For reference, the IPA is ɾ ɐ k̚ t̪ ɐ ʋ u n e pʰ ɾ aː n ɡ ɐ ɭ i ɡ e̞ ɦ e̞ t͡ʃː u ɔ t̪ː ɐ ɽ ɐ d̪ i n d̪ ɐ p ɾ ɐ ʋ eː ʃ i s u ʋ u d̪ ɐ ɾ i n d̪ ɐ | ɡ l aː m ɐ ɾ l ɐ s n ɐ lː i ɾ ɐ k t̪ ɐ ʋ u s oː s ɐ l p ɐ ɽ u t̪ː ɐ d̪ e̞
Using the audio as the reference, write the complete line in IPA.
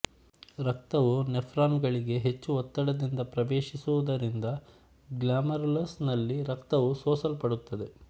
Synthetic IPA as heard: ɾ ɐ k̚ t̪ ɐ ʋ u n e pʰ ɾ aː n ɡ ɐ ɭ i ɡ e̞ ɦ e̞ t͡ʃː u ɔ t̪ː ɐ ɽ ɐ d̪ i n d̪ ɐ p ɾ ɐ ʋ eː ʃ i s u ʋ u d̪ ɐ ɾ i n d̪ ɐ | ɡ l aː m ɐ ɾ l ɐ s n ɐ lː i ɾ ɐ k t̪ ɐ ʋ u s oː s ɐ l p ɐ ɽ u t̪ː ɐ d̪ e̞

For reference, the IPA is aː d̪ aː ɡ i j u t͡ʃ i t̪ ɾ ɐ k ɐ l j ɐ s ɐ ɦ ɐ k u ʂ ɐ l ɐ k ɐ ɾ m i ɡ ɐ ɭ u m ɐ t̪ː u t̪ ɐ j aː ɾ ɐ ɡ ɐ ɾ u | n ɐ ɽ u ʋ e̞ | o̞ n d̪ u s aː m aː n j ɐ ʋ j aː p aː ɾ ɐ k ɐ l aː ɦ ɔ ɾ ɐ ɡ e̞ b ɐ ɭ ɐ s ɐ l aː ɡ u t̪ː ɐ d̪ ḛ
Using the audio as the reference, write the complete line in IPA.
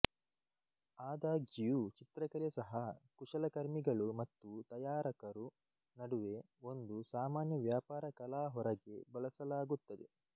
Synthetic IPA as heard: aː d̪ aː ɡ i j u t͡ʃ i t̪ ɾ ɐ k ɐ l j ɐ s ɐ ɦ ɐ k u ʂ ɐ l ɐ k ɐ ɾ m i ɡ ɐ ɭ u m ɐ t̪ː u t̪ ɐ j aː ɾ ɐ k ɐ ɾ u | n ɐ ɽ u ʋ e̞ | o̞ n d̪ u s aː m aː n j ɐ ʋ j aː p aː ɾ ɐ k ɐ l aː ɦ ɔ ɾ ɐ ɡ e̞ b ɐ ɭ ɐ s ɐ l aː ɡ u t̪ː ɐ d̪ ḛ

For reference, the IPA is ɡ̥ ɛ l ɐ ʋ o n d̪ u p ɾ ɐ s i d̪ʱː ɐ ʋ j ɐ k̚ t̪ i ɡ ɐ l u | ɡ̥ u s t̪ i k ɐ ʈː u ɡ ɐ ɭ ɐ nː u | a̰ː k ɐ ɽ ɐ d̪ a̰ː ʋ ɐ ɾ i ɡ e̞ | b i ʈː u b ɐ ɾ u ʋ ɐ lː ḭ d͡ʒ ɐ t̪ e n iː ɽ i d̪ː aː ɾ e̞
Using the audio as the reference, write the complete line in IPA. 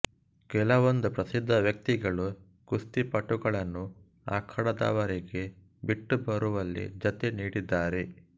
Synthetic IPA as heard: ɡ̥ ɛ l ɐ ʋ o n d̪ u p ɾ ɐ s i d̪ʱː ɐ ʋ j ɐ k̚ t̪ i ɡ ɐ ɭ u | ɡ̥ u s t̪ i p ɐ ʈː u ɡ ɐ ɭ ɐ nː u | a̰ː kʰ ɐ ɽ ɐ d̪ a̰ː ʋ ɐ ɾ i ɡ e̞ | b i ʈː u b ɐ ɾ u ʋ ɐ lː ḭ d͡ʒ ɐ t̪ e n iː ɽ i d̪ː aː ɾ e̞

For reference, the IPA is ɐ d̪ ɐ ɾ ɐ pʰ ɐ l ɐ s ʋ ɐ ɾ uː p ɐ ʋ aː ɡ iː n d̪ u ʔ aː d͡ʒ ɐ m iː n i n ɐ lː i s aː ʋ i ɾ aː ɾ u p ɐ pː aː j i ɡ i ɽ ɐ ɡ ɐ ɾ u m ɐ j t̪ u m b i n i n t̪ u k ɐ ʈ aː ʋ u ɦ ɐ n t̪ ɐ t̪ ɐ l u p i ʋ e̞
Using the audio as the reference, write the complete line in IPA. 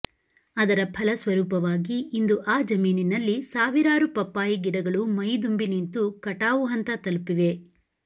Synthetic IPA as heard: ɐ d̪ ɐ ɾ ɐ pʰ ɐ l ɐ s ʋ ɐ ɾ uː p ɐ ʋ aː ɡ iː n d̪ u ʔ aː d͡ʒ ɐ m iː n i n ɐ lː i s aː ʋ i ɾ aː ɾ u p ɐ pː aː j i ɡ i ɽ ɐ ɡ ɐ ɭ u m ɐ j d̪ u m b i n i n t̪ u k ɐ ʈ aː ʋ u ɦ ɐ n t̪ ɐ t̪ ɐ l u p i ʋ e̞

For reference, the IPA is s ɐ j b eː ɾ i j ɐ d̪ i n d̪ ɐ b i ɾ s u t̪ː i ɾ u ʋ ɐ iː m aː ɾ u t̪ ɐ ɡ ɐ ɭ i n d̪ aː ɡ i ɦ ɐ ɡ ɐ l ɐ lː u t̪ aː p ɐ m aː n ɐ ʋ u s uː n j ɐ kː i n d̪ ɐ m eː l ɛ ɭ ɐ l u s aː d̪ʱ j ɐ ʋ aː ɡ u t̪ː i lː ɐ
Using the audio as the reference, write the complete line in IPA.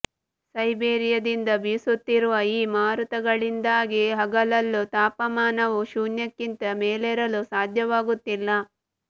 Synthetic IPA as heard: s ɐ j b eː ɾ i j ɐ d̪ i n d̪ ɐ b i s u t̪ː i ɾ u ʋ ɐ iː m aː ɾ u t̪ ɐ ɡ ɐ ɭ i n d̪ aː ɡ i ɦ ɐ ɡ ɐ l ɐ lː u t̪ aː p ɐ m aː n ɐ ʋ u ʃ uː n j ɐ kː i n t̪ ɐ m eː l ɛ ɾ ɐ l u s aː d̪ʱ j ɐ ʋ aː ɡ u t̪ː i lː ɐ

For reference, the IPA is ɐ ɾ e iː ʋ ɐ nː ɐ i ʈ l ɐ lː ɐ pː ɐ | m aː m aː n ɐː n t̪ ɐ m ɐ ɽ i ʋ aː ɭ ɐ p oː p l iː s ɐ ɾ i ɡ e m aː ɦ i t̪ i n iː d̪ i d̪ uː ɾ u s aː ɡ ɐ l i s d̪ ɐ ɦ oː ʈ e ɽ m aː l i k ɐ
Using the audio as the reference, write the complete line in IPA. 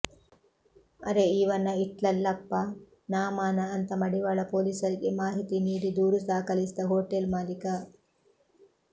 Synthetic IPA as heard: ɐ ɾ e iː ʋ ɐ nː ɐ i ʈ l ɐ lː ɐ pː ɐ | n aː m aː n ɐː n t̪ ɐ m ɐ ɽ i ʋ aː ɭ ɐ p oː l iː s ɐ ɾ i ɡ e m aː ɦ i t̪ i n iː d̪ i d̪ uː ɾ u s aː k ɐ l i s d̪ ɐ ɦ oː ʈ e l m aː l i k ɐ

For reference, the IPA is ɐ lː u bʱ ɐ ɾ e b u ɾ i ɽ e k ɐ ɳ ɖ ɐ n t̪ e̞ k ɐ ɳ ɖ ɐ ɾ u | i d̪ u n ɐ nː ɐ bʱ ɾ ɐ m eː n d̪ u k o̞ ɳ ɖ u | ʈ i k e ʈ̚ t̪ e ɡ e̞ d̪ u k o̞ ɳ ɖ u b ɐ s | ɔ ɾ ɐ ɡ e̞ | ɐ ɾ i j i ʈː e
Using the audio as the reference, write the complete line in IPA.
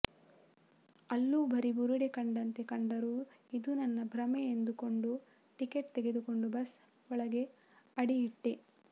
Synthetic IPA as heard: ɐ lː u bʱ ɐ ɾ i b u ɾ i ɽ e k ɐ ɳ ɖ ɐ n t̪ e̞ k ɐ ɳ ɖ ɐ ɾ u | i d̪ u n ɐ nː ɐ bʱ ɾ ɐ m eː n d̪ u k o̞ ɳ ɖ u | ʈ i k e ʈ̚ t̪ e ɡ e̞ d̪ u k o̞ ɳ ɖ u b ɐ s | ɔ ɭ ɐ ɡ e̞ | ɐ ɽ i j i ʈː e

